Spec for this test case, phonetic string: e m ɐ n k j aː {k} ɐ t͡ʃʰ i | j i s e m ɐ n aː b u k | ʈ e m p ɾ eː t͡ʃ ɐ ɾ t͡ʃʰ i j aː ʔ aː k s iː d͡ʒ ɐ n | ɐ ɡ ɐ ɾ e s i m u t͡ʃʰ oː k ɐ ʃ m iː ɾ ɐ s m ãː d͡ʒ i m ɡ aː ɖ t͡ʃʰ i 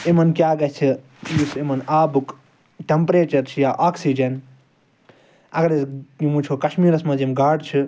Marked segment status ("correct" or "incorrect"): incorrect